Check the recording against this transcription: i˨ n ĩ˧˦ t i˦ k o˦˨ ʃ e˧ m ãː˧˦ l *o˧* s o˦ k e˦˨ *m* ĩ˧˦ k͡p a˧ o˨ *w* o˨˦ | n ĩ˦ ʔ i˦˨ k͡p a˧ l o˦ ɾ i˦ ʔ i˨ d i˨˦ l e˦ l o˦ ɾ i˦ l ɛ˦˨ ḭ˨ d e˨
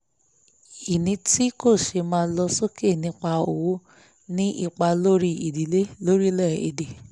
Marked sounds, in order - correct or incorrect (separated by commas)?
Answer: incorrect, incorrect, correct